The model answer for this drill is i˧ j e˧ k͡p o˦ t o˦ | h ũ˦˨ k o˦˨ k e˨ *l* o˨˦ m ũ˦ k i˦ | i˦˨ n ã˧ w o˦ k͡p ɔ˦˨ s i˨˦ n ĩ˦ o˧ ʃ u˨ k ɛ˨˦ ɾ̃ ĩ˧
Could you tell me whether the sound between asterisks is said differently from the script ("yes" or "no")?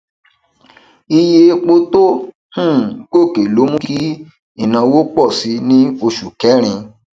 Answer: no